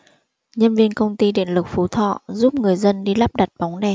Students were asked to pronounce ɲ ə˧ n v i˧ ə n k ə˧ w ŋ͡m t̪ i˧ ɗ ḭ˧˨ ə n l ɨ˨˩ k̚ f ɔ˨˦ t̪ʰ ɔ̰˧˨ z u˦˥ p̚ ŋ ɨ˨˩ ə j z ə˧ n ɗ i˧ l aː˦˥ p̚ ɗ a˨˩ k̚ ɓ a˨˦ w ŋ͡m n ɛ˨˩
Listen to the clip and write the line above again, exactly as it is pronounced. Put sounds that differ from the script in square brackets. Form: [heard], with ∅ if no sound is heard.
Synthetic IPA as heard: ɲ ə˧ n v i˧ ə n k ə˧ w ŋ͡m t̪ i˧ ɗ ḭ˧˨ ə n l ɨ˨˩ k̚ f [u˨˦] t̪ʰ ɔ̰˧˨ z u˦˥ p̚ ŋ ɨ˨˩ ə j z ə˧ n ɗ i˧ l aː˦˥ p̚ ɗ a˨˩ [t̚] ɓ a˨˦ w ŋ͡m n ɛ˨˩